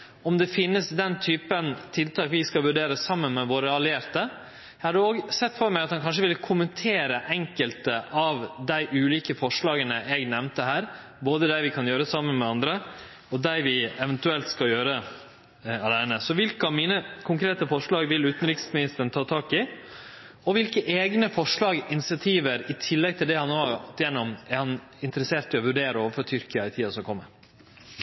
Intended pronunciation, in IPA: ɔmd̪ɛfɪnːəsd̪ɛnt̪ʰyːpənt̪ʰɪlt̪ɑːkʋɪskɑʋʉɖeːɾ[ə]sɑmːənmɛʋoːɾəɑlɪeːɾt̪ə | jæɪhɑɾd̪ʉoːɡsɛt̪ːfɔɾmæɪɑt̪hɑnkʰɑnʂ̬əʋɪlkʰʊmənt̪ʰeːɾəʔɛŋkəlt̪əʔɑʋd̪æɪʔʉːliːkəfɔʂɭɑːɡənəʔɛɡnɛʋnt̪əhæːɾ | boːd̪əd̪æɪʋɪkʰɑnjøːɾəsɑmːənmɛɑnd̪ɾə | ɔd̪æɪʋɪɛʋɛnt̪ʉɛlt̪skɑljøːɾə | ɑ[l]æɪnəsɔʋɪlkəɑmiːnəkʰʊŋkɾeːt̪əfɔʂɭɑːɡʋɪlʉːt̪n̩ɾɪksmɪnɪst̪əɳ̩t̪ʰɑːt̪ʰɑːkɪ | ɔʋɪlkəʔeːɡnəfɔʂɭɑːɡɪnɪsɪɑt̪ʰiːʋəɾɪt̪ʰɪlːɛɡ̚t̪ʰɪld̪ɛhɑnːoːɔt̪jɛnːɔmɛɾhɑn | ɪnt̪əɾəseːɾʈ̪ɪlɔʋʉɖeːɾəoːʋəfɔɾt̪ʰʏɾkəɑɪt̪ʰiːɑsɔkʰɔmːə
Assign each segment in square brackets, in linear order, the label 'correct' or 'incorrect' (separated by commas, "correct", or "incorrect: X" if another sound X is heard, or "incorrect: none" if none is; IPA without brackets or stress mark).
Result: correct, correct